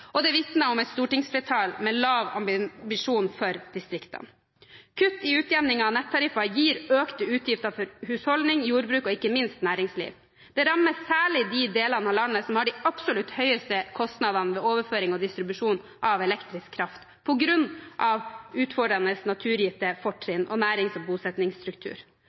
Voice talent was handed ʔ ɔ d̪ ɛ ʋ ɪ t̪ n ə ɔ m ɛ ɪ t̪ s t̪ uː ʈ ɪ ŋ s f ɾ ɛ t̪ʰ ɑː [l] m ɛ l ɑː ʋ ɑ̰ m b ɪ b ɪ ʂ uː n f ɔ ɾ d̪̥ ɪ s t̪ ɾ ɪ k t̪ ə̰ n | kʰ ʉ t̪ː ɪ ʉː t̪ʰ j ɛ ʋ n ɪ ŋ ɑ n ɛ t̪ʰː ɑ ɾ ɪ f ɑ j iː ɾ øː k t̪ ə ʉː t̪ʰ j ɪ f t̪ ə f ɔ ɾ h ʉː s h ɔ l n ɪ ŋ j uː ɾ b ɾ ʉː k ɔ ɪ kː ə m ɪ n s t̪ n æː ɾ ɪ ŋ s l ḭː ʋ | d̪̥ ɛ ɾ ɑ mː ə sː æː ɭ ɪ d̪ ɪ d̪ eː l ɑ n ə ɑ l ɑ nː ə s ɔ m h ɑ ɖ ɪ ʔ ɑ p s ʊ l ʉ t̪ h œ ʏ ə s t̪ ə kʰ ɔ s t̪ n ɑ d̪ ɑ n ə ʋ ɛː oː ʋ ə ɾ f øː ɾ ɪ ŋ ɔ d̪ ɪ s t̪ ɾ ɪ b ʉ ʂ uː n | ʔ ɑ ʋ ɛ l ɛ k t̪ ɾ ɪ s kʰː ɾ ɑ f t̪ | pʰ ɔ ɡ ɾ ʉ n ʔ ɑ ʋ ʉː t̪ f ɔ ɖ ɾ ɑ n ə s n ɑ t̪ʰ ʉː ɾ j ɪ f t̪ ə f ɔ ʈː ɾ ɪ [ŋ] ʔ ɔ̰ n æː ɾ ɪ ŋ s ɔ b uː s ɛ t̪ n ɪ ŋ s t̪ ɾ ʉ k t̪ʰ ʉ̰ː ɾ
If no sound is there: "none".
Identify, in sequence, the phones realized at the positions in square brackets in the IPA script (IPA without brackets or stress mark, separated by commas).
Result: l, n